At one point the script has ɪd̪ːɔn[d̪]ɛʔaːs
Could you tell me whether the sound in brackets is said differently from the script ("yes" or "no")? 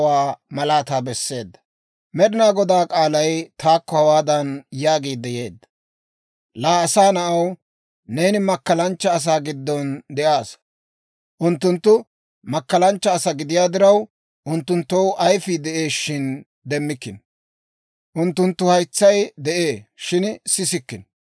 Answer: no